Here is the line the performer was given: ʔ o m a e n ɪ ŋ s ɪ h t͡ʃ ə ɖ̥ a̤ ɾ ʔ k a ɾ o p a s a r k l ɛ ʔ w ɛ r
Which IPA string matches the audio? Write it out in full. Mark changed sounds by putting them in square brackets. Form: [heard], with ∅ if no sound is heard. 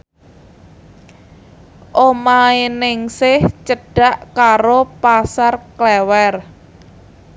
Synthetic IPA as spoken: ʔ o m a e n ɪ ŋ s ɪ h t͡ʃ ə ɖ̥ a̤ [∅] ʔ k a ɾ o p a s a r k l ɛ [∅] w ɛ r